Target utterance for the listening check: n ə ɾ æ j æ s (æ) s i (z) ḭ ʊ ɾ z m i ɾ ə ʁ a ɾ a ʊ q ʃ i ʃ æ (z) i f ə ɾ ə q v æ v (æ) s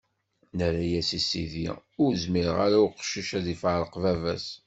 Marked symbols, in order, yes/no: no, no, no, yes

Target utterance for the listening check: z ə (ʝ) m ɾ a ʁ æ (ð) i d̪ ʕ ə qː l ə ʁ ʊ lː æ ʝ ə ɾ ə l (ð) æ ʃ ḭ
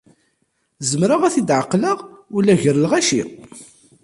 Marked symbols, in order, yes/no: no, no, no

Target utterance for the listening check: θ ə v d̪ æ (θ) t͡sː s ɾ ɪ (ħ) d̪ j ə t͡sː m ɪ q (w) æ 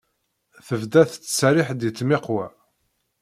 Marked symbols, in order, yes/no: yes, yes, yes

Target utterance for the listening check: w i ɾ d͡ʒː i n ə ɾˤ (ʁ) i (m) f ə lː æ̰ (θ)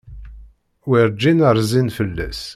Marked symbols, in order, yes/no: no, no, no

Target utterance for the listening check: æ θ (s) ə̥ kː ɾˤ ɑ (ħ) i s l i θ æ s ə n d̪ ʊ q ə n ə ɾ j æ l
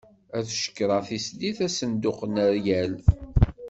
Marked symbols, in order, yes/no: no, no

